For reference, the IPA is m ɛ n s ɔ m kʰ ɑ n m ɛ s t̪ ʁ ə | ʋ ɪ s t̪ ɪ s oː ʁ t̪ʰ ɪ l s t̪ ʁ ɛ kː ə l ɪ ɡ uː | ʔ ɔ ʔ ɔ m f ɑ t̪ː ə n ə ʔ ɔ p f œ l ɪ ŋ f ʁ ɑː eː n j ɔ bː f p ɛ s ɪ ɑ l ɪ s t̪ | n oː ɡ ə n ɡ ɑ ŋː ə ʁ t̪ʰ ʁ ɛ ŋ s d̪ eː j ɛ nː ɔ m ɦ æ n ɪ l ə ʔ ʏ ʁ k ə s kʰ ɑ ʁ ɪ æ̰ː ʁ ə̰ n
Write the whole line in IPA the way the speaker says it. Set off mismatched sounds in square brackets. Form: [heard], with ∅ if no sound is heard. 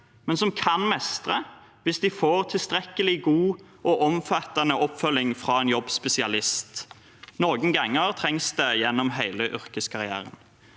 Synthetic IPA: m ɛ n s ɔ m kʰ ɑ n m ɛ s t̪ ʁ ə | ʋ ɪ s [d̪] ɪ [f] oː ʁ t̪ʰ ɪ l s t̪ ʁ ɛ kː ə l ɪ ɡ uː | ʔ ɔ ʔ ɔ m f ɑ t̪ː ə n ə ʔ ɔ p f œ l ɪ ŋ f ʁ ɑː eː n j ɔ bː [s] p ɛ s ɪ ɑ l ɪ s t̪ | n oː ɡ ə n ɡ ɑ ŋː ə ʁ t̪ʰ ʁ ɛ ŋ s d̪ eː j ɛ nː ɔ m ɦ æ [∅] ɪ l ə ʔ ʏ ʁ k ə s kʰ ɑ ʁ ɪ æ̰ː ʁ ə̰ n